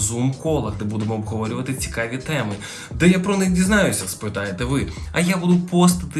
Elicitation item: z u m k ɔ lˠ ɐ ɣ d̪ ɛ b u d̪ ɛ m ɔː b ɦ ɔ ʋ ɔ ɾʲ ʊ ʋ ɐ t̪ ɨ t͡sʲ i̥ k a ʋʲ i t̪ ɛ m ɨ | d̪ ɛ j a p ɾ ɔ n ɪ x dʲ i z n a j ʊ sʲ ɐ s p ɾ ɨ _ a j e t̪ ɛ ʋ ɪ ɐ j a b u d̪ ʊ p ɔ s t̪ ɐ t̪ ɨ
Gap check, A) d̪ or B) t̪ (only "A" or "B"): B